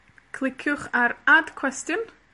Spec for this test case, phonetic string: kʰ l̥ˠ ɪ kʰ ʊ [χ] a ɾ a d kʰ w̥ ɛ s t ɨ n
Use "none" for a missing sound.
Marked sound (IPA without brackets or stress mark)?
χ